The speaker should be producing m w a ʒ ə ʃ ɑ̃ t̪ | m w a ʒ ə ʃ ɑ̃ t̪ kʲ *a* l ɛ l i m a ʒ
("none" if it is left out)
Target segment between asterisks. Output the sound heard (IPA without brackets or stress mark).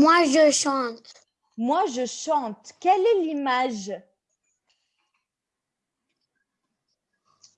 ɛ